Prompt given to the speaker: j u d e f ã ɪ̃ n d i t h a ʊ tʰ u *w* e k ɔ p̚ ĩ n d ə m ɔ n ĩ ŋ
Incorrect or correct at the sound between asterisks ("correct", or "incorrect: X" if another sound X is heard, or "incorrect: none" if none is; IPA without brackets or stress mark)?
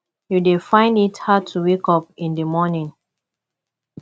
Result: correct